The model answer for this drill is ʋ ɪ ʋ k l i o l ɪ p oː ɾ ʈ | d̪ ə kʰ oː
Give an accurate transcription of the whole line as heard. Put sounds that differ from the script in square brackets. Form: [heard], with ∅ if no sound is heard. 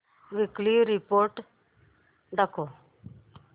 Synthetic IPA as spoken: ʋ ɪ [∅] k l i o [ɾ] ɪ p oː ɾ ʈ | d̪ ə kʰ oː